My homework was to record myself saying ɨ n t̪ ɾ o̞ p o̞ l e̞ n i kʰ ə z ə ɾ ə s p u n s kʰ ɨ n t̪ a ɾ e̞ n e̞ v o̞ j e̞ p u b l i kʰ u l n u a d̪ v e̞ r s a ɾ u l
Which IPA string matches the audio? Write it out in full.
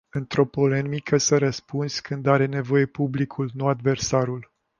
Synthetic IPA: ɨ n t̪ ɾ o̞ p o̞ l e̞ m i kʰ ə s ə ɾ ə s p u n s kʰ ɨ n d̪ a ɾ e̞ n e̞ v o̞ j e̞ p u b l i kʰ u l n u a d̪ v e̞ r s a ɾ u l